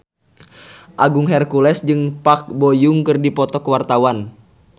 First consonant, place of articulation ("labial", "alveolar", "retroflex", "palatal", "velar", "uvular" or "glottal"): glottal